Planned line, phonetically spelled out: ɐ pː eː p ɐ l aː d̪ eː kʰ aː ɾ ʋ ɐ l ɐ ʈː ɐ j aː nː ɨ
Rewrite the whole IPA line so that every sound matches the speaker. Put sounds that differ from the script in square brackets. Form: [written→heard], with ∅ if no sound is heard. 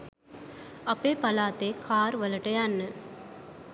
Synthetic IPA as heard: ɐ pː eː p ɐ l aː [d̪→t̪] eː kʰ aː ɾ ʋ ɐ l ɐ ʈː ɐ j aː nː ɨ